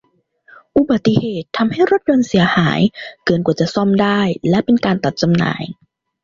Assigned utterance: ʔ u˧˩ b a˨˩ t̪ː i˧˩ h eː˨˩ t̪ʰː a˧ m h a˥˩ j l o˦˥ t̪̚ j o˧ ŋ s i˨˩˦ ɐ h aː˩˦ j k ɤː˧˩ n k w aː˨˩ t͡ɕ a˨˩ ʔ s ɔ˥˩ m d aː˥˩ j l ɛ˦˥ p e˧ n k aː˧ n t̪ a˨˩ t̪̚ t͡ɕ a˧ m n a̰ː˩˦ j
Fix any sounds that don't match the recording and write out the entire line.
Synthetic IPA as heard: ʔ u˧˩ b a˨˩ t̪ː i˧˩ h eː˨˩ t̪ʰː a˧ m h a˥˩ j ɾ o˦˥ t̪̚ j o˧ n s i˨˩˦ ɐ h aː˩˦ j k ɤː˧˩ n k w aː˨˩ t͡ɕ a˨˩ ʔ s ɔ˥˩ m d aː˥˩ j l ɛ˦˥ p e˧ n k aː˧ n t̪ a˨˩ t̪̚ t͡ɕ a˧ m n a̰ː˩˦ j